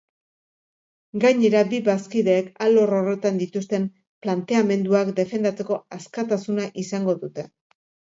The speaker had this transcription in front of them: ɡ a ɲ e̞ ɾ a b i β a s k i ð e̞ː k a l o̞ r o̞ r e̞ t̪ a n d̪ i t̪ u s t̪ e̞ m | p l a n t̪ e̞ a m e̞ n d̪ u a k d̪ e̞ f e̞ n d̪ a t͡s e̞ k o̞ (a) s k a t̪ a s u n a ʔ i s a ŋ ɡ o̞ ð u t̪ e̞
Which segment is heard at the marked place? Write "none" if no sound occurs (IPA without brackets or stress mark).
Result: a